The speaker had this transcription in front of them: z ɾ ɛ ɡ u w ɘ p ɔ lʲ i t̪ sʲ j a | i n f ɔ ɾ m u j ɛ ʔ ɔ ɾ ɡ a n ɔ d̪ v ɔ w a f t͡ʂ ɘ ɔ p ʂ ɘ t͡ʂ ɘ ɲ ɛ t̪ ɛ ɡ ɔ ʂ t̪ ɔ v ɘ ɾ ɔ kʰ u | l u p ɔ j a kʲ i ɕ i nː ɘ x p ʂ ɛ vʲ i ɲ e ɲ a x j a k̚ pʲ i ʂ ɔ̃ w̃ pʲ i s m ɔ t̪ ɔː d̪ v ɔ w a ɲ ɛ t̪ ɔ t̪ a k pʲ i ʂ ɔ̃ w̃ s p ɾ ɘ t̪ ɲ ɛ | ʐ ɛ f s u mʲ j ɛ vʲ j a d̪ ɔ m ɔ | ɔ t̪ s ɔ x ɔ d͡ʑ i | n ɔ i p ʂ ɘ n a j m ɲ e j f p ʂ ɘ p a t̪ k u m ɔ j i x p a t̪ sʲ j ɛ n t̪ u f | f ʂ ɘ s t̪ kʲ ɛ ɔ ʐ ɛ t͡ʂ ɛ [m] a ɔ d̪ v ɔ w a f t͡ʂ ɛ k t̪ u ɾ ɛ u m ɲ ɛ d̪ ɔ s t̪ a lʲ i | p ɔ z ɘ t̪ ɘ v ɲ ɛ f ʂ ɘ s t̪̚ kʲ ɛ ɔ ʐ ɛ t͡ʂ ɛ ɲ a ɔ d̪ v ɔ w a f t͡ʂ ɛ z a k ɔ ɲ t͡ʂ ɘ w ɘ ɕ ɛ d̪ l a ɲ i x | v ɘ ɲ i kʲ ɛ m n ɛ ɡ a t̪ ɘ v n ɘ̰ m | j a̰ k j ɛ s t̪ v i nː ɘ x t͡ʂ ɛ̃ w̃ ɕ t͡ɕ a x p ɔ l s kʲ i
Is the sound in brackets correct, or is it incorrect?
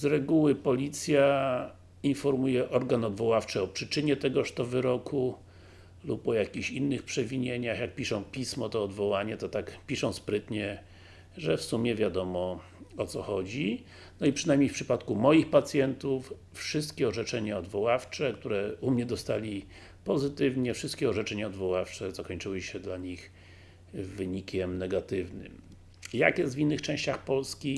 incorrect: ɲ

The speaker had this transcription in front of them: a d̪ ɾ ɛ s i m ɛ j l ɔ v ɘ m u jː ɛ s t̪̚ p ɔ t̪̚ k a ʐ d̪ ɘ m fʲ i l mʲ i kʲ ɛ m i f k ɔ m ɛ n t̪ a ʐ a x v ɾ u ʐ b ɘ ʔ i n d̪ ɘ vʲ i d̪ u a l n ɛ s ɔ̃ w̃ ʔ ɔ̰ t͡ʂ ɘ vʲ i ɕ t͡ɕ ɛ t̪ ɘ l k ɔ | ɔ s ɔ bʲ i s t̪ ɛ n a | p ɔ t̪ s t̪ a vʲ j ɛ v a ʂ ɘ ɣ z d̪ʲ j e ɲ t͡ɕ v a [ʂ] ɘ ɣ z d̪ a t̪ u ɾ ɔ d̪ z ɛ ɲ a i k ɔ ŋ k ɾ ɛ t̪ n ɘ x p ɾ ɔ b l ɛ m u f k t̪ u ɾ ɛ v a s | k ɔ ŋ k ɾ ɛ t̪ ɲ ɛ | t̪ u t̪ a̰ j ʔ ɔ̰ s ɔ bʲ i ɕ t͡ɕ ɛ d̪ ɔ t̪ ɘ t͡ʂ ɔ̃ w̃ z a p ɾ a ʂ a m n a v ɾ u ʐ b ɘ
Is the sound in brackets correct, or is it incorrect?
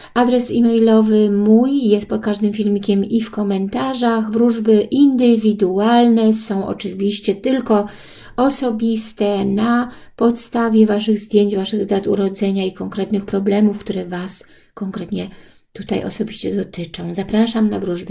correct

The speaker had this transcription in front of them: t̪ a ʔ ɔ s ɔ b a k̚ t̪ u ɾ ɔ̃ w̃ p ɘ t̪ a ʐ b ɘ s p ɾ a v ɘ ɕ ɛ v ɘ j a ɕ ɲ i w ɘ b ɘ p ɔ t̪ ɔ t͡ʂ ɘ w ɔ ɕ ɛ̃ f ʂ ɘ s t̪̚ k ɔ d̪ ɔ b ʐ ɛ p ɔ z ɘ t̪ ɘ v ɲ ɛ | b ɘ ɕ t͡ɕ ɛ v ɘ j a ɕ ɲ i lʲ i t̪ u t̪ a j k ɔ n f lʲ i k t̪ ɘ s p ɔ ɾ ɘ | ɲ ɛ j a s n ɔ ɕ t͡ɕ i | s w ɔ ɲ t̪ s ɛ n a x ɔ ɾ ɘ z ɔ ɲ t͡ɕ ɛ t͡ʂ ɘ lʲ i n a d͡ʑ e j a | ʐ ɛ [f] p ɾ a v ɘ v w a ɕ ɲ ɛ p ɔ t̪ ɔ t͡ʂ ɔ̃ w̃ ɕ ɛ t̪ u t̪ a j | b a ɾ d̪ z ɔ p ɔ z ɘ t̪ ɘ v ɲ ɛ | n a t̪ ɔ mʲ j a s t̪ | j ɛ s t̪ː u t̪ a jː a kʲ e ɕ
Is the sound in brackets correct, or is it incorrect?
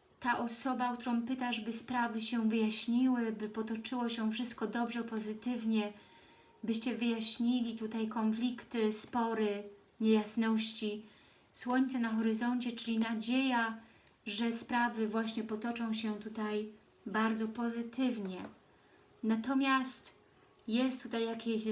incorrect: s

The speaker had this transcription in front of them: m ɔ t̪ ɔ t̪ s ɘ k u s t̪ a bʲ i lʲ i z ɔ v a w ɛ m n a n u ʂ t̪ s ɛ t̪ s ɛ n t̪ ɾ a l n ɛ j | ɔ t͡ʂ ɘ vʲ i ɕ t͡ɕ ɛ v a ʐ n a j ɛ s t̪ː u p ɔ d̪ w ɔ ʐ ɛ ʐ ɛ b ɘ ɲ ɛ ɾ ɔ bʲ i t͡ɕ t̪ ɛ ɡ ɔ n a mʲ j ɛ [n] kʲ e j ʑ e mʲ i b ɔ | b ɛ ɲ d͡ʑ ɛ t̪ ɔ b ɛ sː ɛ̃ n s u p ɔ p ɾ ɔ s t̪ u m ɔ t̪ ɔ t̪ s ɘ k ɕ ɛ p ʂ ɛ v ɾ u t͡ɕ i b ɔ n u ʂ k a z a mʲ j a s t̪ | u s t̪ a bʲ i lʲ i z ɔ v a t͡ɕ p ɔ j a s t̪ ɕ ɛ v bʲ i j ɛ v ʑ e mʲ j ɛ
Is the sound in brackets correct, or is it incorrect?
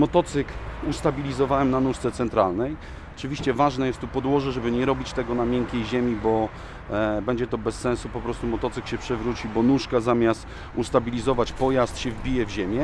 incorrect: ŋ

